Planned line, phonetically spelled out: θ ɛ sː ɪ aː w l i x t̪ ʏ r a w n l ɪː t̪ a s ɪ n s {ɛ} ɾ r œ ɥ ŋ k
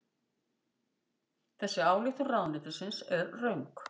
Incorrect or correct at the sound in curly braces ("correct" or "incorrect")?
correct